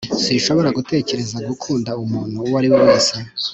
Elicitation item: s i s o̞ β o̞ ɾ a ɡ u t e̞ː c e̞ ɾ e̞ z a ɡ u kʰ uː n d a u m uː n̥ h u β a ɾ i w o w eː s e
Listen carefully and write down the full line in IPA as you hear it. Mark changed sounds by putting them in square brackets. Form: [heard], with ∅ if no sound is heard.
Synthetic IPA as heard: s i [ʃ] o̞ β o̞ ɾ a ɡ u t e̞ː c e̞ ɾ e̞ z a ɡ u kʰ uː n d a u m uː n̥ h u [w] a ɾ i w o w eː s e